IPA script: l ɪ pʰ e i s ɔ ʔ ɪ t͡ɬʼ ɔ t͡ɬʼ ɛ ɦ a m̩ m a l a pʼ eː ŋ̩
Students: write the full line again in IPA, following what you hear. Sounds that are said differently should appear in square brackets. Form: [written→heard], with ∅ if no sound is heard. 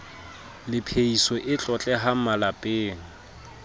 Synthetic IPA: l ɪ pʰ e i s ɔ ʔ ɪ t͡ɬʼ ɔ t͡ɬʼ ɛ ɦ a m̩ m a l a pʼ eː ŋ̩